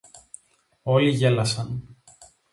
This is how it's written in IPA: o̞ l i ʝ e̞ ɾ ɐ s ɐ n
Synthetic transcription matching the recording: o̞ l i ʝ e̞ l ɐ s ɐ n